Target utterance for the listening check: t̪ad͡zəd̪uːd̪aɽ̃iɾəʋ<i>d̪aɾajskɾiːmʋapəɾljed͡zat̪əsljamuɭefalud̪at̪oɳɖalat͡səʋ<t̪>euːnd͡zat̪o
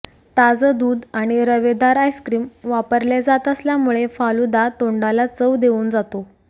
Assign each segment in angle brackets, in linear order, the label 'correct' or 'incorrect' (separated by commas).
incorrect, incorrect